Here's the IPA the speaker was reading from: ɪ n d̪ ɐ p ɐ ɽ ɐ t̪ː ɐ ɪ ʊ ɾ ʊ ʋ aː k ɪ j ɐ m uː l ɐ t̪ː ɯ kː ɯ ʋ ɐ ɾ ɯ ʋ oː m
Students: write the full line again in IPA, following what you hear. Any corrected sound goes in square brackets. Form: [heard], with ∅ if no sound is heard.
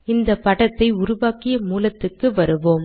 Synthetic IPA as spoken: ɪ n d̪ ɐ p ɐ ɽ ɐ t̪ː ɐ ɪ ʊ ɾ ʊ ʋ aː k ɪ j ɐ m uː l ɐ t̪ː ɯ kː ɯ ʋ ɐ ɾ ɯ ʋ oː m

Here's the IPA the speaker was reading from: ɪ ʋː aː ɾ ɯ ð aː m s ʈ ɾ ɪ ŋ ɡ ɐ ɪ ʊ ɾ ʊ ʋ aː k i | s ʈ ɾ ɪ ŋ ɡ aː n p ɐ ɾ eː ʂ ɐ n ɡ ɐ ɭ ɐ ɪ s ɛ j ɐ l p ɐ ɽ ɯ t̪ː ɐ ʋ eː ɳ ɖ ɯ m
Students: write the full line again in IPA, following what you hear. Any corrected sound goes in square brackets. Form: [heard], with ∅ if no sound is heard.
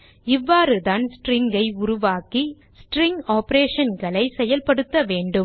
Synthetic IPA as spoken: ɪ ʋː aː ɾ ɯ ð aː [n] s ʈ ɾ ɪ ŋ ɡ ɐ ɪ ʊ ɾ ʊ ʋ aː k i | s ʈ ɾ ɪ ŋ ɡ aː [∅] p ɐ ɾ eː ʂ ɐ n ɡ ɐ ɭ ɐ ɪ s ɛ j ɐ l p ɐ ɽ ɯ t̪ː ɐ ʋ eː ɳ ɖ ɯ m

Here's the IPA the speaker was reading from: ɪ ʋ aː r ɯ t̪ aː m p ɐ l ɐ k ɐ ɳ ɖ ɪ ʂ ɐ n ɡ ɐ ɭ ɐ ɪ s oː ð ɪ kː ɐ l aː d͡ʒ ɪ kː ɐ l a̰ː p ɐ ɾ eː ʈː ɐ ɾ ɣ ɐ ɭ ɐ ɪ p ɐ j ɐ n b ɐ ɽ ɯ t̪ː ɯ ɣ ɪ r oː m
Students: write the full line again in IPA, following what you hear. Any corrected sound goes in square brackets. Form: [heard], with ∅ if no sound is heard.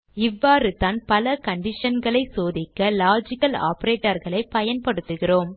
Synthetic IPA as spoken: ɪ [ʋː] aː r ɯ t̪ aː [n] p ɐ l ɐ k ɐ ɳ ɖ ɪ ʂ ɐ n ɡ ɐ ɭ ɐ ɪ s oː ð ɪ kː ɐ l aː d͡ʒ ɪ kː ɐ l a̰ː p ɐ ɾ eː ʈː ɐ ɾ ɣ ɐ ɭ ɐ ɪ p ɐ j ɐ n [p] ɐ ɽ ɯ t̪ː ɯ ɣ ɪ r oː m

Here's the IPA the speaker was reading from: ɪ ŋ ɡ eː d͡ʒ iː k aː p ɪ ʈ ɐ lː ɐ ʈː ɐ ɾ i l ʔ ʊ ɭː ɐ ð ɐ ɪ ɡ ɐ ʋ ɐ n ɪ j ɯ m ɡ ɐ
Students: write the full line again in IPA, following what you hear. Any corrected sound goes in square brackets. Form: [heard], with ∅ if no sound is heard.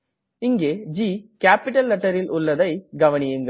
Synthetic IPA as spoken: ɪ ŋ ɡ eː d͡ʒ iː k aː p ɪ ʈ ɐ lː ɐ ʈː ɐ ɾ [ɪ] l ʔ ʊ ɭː ɐ ð ɐ ɪ ɡ ɐ ʋ ɐ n ɪ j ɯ [ŋ] ɡ ɐ

